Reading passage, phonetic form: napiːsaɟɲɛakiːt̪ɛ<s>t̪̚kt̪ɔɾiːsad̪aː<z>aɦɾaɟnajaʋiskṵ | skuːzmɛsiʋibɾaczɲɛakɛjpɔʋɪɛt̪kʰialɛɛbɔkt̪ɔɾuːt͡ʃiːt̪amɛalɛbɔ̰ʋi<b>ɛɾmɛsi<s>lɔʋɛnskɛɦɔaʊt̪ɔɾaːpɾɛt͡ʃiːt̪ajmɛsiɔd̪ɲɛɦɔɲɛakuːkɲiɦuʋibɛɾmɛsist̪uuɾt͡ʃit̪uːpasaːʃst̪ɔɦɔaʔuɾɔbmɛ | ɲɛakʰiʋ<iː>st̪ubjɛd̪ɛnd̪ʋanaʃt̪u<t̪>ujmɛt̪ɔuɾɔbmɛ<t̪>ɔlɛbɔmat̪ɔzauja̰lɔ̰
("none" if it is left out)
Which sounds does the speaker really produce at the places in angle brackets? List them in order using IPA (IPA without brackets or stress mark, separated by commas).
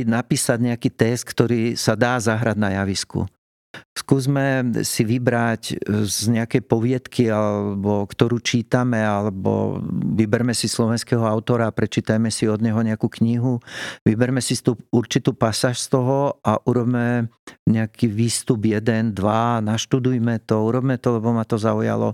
s, z, b, s, iː, d̪, t̪